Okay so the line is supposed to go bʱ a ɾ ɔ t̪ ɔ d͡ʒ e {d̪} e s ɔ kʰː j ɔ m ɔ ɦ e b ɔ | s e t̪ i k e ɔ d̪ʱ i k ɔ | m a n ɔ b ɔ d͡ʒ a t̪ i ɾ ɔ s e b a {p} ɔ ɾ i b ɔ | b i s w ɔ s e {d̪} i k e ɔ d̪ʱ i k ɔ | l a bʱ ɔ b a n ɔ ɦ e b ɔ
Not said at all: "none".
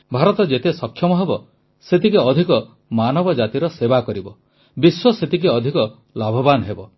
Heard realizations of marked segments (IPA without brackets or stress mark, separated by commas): t̪, k, t̪